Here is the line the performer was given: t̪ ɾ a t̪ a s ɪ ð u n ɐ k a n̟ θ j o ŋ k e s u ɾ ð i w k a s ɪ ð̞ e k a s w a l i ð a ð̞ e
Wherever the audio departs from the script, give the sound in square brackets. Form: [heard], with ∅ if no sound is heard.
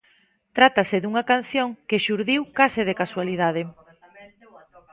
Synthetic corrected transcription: t̪ ɾ a t̪ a s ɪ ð u [ŋ] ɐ k a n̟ θ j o ŋ k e [ʃ] u ɾ ð i w k a s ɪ ð̞ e k a s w a l i ð a ð̞ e